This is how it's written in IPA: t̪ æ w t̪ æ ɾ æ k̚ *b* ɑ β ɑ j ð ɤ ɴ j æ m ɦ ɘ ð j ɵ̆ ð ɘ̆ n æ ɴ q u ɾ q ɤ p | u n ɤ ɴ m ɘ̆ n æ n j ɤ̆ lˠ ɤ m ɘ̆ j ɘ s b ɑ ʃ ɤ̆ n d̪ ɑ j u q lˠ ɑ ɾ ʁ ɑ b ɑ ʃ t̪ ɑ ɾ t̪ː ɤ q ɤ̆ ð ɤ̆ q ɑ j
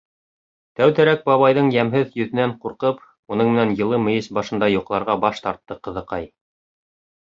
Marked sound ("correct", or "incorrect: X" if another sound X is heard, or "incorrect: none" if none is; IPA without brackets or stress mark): correct